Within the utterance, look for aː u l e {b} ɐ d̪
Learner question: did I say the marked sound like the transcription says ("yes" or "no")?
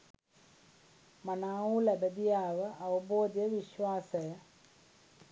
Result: yes